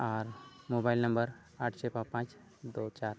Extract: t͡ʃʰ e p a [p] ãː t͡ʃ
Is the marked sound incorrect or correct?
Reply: correct